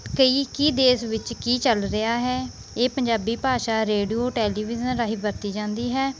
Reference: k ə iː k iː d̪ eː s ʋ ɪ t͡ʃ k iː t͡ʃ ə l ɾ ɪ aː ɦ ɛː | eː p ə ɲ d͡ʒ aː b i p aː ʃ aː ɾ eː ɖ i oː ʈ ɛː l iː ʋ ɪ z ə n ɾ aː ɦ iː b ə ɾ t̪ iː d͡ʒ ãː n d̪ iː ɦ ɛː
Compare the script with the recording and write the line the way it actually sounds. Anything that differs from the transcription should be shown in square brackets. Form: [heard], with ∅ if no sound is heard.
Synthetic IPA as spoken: k ə iː k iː d̪ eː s ʋ ɪ t͡ʃ k iː t͡ʃ ə l ɾ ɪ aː ɦ ɛː | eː p ə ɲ d͡ʒ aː b [iː] p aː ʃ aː ɾ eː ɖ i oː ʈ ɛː l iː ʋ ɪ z ə n ɾ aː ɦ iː b ə ɾ t̪ iː d͡ʒ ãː n d̪ iː ɦ ɛː